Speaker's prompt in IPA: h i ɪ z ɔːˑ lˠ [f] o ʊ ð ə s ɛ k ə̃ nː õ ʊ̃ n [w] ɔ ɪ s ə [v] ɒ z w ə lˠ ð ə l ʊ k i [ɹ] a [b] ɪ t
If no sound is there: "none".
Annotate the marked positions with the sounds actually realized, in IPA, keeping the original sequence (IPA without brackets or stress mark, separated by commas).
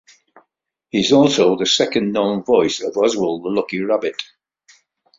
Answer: s, v, v, ɹ, b